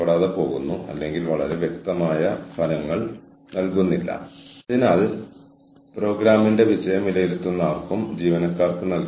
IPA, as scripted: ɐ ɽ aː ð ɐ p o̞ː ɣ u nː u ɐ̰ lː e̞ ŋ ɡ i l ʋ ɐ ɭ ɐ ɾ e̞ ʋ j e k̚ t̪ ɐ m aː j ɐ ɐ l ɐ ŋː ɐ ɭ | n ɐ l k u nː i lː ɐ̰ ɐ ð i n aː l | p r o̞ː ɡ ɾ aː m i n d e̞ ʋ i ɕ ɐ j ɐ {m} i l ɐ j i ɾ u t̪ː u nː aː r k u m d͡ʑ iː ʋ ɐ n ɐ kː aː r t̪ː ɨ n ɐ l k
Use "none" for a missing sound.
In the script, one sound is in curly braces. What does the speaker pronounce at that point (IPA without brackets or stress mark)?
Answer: m